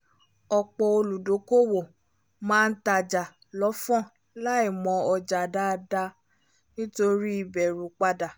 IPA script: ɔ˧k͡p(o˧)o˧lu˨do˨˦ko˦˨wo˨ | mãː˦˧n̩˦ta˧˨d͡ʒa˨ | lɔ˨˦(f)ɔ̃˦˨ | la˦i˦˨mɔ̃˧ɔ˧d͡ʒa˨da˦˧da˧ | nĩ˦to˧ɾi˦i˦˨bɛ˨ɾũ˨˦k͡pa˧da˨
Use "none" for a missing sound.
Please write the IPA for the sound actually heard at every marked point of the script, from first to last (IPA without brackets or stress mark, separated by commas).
ɔ˧, f